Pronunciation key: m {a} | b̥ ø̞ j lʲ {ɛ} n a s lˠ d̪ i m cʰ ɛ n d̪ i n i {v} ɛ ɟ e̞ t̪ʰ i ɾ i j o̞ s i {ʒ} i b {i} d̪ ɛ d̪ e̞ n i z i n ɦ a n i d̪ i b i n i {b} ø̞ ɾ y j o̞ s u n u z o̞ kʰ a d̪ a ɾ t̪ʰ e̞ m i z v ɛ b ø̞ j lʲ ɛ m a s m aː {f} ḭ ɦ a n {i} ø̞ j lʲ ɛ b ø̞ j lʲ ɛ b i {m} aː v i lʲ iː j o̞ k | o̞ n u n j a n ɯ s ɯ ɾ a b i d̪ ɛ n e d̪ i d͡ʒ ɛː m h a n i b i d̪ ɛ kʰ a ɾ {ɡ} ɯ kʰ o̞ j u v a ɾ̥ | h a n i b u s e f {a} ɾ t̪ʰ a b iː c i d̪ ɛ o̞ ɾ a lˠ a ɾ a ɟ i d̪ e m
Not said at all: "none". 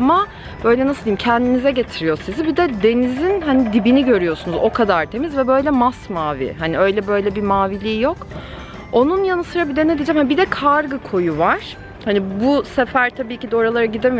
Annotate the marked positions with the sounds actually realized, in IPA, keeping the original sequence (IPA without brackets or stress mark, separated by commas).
a, ɛ, z, z, i, ɟ, v, i, m, ɡ, æ